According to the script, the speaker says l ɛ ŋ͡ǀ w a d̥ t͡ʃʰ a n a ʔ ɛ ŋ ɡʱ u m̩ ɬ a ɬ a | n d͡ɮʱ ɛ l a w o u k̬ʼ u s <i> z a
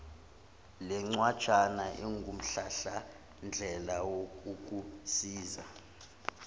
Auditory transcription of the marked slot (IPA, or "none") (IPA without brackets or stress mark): iː